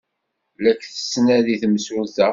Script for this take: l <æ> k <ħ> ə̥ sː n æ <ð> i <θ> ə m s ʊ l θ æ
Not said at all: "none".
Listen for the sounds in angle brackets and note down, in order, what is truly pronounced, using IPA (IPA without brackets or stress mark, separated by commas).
æ, θ, ð, θ